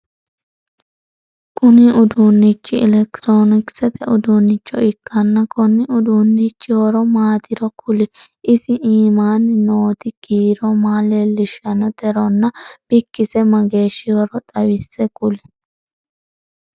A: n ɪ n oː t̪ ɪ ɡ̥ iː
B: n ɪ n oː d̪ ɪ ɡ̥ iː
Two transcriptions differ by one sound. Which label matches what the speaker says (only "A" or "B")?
A